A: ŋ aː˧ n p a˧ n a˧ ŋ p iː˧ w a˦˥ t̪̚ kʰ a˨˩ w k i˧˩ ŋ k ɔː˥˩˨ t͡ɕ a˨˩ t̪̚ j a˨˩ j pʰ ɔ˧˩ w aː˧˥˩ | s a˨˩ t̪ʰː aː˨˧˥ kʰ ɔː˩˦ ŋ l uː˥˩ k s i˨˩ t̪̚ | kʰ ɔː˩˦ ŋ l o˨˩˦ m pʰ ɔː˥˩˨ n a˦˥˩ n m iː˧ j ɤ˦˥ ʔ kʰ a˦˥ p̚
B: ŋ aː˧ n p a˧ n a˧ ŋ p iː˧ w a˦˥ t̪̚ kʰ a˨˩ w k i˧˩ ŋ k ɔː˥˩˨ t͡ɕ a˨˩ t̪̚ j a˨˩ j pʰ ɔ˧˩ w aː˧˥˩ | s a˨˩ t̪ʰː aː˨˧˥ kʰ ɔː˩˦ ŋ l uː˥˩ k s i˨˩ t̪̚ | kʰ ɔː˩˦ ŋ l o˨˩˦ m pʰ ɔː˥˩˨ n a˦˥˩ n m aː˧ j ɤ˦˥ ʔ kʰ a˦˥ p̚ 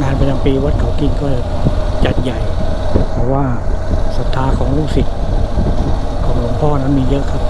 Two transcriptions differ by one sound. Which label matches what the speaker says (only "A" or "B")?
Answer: A